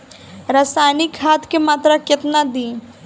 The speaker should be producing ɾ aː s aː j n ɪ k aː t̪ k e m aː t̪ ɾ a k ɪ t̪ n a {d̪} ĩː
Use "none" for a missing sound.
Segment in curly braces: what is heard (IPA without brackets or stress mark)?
d̪